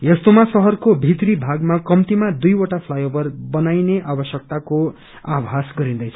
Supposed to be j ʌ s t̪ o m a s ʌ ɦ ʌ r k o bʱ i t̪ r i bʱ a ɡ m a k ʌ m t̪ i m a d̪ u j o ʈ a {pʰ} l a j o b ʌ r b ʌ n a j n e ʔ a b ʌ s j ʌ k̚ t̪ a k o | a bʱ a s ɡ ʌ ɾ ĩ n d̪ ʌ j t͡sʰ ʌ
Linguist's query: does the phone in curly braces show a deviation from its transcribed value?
no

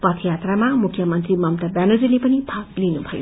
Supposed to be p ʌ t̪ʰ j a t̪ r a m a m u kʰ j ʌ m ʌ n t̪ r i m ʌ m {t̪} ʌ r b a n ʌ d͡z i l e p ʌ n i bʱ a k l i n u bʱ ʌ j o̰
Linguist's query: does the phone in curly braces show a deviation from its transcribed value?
no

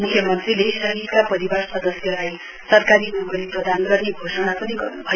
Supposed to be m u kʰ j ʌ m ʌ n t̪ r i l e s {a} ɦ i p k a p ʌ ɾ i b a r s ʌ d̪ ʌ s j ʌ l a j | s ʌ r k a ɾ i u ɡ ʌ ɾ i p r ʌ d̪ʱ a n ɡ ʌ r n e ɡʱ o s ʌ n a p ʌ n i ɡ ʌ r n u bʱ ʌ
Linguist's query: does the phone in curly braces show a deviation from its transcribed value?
yes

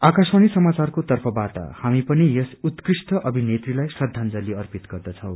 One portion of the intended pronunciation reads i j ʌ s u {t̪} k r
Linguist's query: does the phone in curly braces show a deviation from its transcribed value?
no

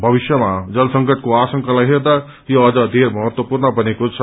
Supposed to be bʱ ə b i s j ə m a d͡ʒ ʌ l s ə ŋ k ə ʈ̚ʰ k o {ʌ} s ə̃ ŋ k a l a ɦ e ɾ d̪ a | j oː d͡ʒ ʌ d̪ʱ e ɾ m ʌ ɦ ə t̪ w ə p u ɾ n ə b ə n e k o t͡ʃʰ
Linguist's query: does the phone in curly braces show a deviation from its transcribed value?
yes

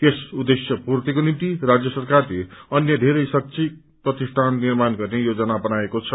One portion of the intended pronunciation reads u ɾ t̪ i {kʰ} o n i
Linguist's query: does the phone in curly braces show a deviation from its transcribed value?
yes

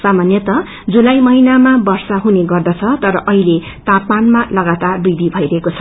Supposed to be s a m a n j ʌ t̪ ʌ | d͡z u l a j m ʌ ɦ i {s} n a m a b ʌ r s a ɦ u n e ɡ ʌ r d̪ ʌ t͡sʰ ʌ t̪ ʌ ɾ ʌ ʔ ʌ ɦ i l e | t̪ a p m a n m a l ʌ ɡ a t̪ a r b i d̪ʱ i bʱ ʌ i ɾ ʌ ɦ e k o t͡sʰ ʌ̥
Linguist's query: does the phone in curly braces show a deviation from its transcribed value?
yes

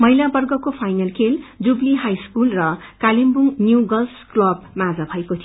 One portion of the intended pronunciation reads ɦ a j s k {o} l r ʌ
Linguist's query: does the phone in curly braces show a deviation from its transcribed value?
yes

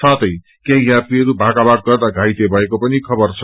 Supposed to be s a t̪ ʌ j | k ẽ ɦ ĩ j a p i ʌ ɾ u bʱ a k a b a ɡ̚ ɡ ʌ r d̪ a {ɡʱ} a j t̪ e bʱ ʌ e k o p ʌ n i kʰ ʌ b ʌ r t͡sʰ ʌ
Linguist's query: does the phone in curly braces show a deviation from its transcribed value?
no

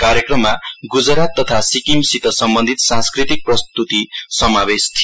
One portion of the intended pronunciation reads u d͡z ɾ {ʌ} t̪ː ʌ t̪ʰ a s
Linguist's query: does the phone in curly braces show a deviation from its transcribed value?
yes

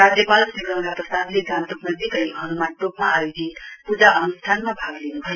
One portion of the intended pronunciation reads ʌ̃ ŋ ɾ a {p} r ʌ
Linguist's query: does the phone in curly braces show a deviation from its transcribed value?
no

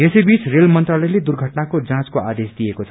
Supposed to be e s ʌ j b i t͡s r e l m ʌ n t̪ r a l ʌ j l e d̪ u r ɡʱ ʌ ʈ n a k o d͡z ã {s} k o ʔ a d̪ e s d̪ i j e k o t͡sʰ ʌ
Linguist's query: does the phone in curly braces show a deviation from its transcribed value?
yes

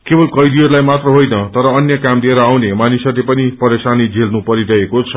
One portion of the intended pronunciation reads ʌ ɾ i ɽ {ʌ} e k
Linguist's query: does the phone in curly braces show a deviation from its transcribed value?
no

